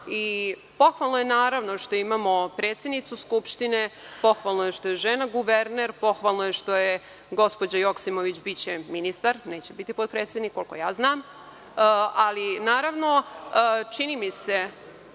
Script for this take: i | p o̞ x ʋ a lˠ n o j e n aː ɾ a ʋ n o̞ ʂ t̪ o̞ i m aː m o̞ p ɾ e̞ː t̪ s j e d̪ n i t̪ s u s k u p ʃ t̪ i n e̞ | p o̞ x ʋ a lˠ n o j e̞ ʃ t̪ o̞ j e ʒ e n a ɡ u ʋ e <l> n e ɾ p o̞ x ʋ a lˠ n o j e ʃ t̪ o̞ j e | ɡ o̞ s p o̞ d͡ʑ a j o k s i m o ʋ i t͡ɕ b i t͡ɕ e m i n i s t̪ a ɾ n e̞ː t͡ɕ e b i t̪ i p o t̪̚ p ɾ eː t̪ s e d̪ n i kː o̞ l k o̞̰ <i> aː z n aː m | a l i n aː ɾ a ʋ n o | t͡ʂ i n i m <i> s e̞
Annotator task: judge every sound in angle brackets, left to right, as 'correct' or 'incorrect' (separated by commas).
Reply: incorrect, incorrect, correct